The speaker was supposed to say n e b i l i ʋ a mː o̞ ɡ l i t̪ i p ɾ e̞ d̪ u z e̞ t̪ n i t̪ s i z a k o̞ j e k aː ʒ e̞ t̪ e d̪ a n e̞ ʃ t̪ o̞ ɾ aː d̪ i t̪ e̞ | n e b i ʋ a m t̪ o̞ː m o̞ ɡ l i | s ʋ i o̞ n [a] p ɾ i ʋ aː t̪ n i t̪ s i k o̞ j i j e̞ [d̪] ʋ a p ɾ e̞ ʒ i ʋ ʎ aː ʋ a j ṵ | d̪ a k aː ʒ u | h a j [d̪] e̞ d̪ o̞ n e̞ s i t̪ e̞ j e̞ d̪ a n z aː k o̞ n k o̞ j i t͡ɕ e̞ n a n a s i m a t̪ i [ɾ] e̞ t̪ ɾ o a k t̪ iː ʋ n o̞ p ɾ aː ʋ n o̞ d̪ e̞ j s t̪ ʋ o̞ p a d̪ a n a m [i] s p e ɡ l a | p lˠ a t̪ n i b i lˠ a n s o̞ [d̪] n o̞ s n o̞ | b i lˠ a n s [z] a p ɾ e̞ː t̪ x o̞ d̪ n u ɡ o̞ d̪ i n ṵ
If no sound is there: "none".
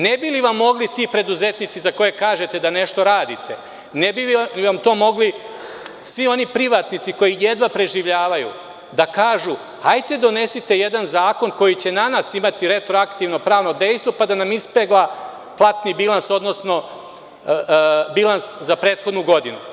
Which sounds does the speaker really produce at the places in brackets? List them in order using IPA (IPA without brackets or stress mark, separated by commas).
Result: i, d̪, t̪, ɾ, i, d̪, z